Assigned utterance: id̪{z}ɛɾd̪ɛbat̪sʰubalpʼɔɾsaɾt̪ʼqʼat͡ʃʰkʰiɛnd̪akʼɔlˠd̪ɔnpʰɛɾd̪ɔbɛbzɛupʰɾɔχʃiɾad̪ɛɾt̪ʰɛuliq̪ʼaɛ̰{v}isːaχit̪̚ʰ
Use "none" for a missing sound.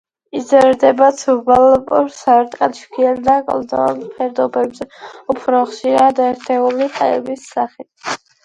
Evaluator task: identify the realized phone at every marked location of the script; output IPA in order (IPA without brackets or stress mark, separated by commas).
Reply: z, b